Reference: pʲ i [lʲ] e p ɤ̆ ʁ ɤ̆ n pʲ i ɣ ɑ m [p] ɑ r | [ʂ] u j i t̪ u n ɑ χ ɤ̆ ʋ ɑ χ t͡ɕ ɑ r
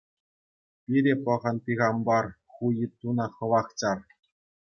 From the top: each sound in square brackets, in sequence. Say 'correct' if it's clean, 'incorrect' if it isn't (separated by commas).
incorrect, incorrect, incorrect